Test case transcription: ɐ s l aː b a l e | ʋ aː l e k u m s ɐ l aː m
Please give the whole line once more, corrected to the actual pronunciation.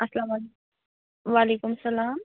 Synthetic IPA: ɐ s l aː m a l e | ʋ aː l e k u m s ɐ l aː m